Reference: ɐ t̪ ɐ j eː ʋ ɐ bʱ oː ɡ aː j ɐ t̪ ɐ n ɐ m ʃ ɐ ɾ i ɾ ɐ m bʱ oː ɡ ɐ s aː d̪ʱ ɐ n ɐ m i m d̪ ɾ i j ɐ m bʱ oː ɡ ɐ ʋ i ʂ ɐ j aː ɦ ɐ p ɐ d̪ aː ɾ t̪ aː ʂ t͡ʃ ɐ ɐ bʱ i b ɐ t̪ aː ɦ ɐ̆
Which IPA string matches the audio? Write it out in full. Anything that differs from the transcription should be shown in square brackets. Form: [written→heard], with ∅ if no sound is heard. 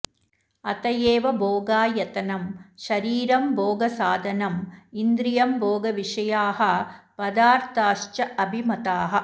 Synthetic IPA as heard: ɐ t̪ ɐ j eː ʋ ɐ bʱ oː ɡ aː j ɐ t̪ ɐ n ɐ m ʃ ɐ ɾ [i→iː] ɾ ɐ m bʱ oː ɡ ɐ s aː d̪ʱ ɐ n ɐ m i [m→n] d̪ ɾ i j ɐ m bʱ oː ɡ ɐ ʋ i ʂ ɐ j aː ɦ ɐ p ɐ d̪ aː ɾ t̪ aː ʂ t͡ʃ ɐ ɐ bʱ i [b→m] ɐ t̪ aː ɦ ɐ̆